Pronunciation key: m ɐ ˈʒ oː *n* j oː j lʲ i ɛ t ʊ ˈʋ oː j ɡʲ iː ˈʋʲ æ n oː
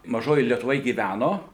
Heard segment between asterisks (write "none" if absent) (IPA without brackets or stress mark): none